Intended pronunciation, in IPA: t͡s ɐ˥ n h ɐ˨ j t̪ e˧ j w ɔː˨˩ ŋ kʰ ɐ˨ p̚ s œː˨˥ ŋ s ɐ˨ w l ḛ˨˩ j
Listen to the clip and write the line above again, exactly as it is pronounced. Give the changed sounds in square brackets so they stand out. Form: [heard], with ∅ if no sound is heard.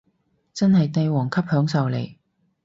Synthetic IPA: t͡s ɐ˥ n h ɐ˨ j t̪ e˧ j w ɔː˨˩ ŋ kʰ [ɐ˥] p̚ [h] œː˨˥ ŋ s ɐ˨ w l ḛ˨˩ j